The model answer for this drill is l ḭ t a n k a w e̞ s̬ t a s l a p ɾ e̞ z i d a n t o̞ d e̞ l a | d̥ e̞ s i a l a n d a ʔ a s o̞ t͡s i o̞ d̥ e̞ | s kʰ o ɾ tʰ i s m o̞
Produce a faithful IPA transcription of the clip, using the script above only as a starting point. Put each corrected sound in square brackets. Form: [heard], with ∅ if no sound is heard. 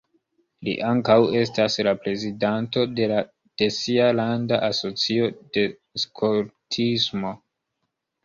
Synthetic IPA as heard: l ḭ [ʔ] a [ŋ] k a w e̞ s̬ t a s l a p ɾ e̞ z i d a n t o̞ d e̞ l a | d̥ e̞ s i a l a n d a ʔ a s o̞ t͡s i o̞ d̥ e̞ | s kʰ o ɾ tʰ i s m o̞